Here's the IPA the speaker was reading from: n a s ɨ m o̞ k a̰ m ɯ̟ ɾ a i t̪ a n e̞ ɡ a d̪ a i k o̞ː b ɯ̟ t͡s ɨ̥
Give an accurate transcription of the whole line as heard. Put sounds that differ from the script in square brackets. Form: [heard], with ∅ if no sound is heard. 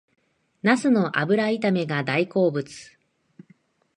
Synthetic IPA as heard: n a s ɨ [n] o̞ [ʔ] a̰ [b] ɯ̟ ɾ a i t̪ a [m] e̞ ɡ a d̪ a i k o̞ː b ɯ̟ t͡s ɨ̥